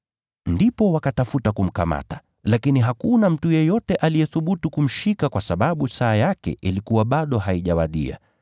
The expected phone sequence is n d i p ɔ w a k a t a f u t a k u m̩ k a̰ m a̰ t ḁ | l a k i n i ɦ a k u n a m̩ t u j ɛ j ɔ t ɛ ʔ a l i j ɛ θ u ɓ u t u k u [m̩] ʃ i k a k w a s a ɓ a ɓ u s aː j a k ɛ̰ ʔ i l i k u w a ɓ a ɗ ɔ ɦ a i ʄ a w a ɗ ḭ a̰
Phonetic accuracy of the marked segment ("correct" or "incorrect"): correct